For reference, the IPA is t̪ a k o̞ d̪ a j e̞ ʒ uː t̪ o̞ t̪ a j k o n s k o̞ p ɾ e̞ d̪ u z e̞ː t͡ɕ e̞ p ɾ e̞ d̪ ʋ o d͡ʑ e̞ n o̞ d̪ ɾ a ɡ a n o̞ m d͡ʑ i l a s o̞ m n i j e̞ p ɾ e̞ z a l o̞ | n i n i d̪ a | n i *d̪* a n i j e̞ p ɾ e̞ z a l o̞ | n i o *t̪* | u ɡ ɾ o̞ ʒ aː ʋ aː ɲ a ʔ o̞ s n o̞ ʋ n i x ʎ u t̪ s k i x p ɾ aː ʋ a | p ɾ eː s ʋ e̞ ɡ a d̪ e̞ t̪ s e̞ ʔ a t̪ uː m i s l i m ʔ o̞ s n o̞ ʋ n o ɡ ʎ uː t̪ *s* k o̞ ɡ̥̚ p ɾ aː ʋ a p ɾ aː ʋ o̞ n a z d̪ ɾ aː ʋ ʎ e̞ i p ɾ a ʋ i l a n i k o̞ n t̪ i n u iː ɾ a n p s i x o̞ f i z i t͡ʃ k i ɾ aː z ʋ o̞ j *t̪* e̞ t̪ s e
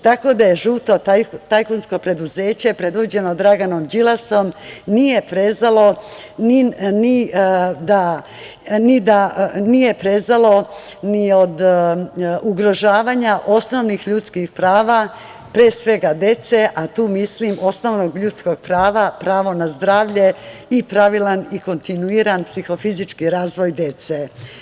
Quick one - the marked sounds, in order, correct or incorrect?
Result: correct, incorrect: d̪, correct, incorrect: d̪

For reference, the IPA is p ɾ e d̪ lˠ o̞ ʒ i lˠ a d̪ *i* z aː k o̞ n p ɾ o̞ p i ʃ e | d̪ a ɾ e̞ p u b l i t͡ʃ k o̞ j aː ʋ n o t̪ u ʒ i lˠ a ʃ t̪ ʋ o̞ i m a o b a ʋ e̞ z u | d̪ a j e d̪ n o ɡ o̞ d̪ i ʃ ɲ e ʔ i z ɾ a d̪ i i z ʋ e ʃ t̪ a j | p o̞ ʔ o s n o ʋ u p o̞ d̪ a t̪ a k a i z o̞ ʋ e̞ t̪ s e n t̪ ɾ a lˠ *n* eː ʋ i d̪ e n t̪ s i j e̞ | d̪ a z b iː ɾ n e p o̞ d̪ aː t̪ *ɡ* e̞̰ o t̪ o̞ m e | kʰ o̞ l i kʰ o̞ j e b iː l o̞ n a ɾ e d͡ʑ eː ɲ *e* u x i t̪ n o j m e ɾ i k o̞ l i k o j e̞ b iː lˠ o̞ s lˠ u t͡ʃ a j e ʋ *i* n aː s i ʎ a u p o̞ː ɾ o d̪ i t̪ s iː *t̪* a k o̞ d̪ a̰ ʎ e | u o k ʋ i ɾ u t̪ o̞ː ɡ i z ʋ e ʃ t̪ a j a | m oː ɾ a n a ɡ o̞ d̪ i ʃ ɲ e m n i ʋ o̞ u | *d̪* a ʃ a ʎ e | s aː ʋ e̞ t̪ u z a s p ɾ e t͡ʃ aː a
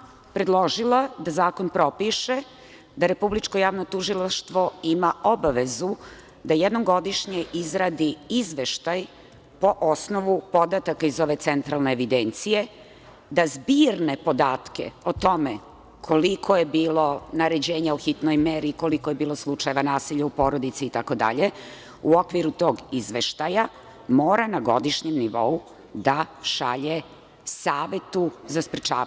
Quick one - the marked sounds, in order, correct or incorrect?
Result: incorrect: a, correct, incorrect: k, incorrect: a, incorrect: a, correct, correct

